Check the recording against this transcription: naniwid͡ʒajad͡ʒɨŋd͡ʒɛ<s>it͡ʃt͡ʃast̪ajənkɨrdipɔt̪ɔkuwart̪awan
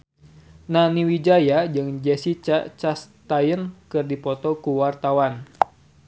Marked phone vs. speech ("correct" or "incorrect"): correct